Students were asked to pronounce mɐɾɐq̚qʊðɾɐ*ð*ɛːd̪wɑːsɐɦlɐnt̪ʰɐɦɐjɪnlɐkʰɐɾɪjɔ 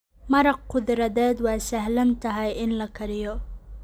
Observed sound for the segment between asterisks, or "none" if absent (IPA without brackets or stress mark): ð